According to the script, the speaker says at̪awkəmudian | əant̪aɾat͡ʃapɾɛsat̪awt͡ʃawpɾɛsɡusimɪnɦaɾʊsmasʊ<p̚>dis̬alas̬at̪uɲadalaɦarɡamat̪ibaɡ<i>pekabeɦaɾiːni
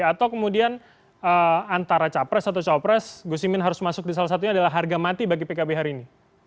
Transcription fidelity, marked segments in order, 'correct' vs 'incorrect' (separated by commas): incorrect, correct